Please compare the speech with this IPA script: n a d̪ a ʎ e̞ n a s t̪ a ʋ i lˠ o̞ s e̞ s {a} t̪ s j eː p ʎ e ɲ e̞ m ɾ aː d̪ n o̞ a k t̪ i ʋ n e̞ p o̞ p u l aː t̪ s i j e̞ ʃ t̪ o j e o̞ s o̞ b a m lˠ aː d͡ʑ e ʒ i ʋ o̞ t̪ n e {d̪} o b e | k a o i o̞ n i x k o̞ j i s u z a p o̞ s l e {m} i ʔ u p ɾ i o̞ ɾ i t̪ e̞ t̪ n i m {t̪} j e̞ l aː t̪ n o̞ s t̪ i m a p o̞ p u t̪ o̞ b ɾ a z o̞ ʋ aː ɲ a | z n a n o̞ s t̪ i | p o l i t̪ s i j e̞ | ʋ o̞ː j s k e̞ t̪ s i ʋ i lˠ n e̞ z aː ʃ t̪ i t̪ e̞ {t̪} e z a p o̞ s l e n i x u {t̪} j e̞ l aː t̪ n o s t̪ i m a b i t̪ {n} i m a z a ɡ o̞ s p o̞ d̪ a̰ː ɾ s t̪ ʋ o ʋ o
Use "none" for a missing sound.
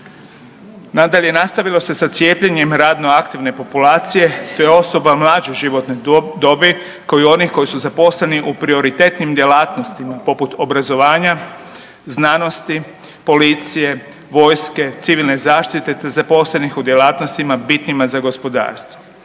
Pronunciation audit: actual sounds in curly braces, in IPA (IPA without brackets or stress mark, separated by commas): a, d̪, n, d̪, t̪, d̪, n